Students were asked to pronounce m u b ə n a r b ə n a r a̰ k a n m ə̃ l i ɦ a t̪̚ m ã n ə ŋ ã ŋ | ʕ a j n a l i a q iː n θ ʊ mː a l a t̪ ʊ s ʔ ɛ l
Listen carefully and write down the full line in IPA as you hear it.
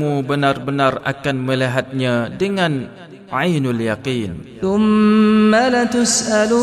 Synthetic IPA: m u b ə n a r b ə n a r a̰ k a n m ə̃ l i ɦ a t̪̚ ɲ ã d ə ŋ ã n | ʕ a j n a l j a q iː n θ ʊ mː a l a t̪ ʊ s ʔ a l